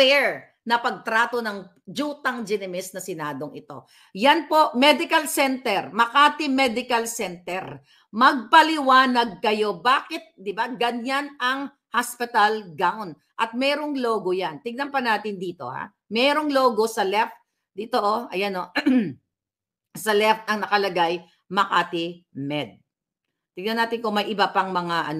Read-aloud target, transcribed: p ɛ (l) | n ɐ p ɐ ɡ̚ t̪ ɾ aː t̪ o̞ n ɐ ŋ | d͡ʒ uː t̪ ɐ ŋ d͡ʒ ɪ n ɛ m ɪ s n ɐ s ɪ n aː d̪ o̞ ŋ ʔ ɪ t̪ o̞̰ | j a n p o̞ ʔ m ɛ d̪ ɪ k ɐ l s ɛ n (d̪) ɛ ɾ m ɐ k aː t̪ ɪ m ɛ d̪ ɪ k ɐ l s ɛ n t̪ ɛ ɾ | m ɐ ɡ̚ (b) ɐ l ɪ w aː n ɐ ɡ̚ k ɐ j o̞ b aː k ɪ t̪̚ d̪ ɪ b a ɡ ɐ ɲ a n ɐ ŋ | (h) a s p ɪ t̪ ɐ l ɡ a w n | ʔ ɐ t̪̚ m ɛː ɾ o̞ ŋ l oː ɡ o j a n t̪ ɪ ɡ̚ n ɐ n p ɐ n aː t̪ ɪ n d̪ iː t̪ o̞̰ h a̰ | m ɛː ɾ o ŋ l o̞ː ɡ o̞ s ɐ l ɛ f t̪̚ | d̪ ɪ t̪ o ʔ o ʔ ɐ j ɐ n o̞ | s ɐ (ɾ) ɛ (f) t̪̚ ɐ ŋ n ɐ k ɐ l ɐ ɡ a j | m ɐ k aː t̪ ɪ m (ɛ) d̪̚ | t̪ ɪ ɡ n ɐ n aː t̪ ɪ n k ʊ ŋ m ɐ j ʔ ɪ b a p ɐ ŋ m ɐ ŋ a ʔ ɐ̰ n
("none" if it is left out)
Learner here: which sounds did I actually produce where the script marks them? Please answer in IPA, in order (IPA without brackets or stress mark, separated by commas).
ɹ, t̪, p, h, l, f, ɛ